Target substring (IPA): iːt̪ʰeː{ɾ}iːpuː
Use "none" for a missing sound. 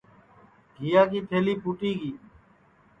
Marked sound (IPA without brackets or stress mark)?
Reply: l